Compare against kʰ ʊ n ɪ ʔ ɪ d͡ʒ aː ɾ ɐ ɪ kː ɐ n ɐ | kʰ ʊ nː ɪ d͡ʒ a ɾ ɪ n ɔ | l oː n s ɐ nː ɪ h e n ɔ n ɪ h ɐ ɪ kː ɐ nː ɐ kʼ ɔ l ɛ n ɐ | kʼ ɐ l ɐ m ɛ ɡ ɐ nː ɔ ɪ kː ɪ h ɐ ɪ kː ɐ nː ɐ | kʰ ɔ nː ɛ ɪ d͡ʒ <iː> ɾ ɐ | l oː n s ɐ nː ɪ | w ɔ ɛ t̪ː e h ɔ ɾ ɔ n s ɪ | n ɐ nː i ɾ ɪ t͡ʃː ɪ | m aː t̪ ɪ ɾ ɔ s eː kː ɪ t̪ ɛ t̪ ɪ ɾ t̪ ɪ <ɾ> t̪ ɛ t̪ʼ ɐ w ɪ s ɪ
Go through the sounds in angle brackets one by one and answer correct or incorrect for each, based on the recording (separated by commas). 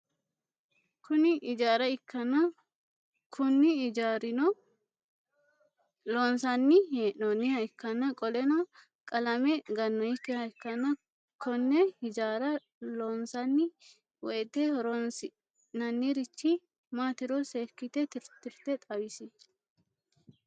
incorrect, correct